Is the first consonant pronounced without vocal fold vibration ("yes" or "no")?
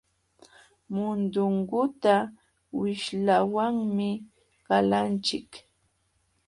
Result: no